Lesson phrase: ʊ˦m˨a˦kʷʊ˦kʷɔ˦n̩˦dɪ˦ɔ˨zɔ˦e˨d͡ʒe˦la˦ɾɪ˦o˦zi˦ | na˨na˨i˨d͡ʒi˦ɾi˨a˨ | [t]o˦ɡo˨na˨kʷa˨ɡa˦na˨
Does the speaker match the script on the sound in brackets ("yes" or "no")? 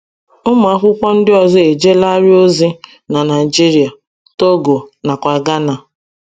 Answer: yes